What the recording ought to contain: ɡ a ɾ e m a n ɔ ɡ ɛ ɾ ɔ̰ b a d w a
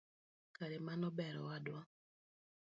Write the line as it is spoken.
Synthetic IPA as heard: k a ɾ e m a n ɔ b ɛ ɾ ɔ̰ w a d w a